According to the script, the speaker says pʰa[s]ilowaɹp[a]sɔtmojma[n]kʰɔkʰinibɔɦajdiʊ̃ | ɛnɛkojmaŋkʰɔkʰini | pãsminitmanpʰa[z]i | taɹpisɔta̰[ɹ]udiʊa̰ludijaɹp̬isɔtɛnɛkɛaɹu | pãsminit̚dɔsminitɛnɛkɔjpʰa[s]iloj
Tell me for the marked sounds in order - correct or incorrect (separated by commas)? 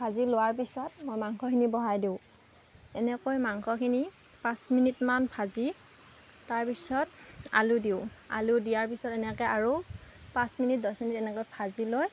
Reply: incorrect, incorrect, incorrect, correct, incorrect, incorrect